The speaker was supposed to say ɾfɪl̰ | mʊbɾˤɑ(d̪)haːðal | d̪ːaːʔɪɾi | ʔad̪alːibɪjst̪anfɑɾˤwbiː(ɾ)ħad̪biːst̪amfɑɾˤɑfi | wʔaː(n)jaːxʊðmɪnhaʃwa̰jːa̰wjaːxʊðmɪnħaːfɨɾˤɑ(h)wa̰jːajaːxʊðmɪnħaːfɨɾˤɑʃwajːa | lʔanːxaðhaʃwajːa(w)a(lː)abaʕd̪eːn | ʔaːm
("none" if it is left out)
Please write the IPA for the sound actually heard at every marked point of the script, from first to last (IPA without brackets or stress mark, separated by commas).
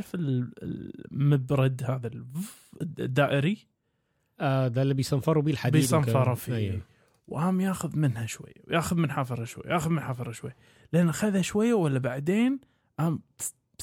d̪, l, m, ʃ, w, lː